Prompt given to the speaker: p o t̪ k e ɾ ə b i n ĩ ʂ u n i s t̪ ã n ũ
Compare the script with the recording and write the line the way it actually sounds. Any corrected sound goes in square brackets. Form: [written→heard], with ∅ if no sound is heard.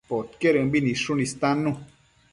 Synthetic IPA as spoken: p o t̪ k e ɾ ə b i n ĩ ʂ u n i s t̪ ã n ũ